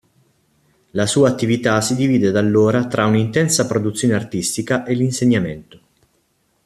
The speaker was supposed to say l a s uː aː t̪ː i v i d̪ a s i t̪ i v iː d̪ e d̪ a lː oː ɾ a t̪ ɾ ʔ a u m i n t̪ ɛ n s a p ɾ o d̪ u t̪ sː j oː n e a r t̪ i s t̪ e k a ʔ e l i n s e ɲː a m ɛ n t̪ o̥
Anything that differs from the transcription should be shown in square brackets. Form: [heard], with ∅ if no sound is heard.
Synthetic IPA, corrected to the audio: l a s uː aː t̪ː i v i [t̪] a s i [d̪] i v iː d̪ e d̪ a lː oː ɾ a t̪ ɾ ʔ a u [n] i n t̪ ɛ n s a p ɾ o d̪ u t̪ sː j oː n e a r t̪ i s t̪ [i] k a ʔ e l i n s e ɲː a m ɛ n t̪ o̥